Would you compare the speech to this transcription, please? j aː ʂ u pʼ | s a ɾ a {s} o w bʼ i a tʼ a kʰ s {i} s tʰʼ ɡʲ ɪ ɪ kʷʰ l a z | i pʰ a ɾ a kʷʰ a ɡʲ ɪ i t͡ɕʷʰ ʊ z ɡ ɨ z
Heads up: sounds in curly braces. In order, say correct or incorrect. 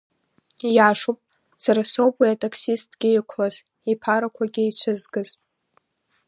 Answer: correct, correct

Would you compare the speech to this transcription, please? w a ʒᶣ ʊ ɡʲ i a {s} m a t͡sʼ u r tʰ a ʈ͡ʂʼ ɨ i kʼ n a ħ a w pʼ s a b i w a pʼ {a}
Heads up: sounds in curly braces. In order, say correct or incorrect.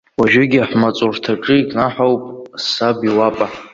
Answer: incorrect, correct

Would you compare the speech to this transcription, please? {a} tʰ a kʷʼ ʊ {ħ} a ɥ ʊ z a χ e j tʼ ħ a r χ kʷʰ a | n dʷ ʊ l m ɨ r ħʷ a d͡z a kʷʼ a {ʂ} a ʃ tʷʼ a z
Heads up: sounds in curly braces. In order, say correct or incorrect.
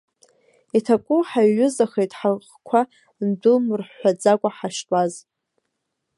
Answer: incorrect, correct, incorrect

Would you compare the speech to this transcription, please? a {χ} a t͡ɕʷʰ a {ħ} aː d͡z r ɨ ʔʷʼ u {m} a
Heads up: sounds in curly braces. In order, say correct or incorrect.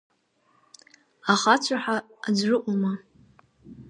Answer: correct, correct, correct

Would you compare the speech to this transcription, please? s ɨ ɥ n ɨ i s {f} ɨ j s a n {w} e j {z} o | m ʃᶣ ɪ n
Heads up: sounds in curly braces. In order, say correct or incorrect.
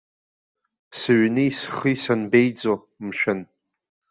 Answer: incorrect, incorrect, incorrect

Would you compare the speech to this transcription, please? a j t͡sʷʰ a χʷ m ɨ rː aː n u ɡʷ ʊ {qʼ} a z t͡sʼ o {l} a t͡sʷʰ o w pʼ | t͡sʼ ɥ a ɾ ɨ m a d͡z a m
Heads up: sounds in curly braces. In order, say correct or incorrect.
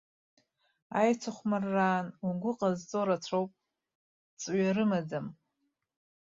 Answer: correct, incorrect

